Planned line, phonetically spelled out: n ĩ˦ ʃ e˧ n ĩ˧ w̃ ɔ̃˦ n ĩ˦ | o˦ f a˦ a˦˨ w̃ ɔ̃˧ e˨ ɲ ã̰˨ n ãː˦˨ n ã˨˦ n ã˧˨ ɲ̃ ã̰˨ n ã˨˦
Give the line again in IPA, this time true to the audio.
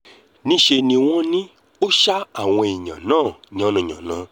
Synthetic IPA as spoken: n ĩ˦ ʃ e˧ n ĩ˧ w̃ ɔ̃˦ n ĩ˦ | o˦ ʃ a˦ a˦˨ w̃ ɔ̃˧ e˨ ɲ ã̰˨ n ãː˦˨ ɲ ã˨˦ n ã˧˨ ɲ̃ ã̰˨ n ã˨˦

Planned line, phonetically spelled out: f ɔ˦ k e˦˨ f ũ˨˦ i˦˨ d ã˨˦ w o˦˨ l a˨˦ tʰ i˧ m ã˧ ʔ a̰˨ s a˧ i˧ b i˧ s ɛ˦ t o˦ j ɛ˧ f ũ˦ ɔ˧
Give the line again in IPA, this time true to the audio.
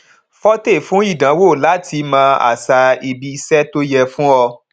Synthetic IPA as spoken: f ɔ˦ t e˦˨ f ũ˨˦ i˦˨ d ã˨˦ w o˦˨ l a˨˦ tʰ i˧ m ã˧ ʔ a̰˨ s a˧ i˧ b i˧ s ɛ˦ t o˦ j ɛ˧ f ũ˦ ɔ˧

